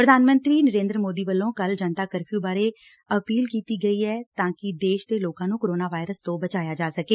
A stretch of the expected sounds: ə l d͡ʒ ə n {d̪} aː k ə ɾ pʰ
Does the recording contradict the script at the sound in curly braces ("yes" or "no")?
yes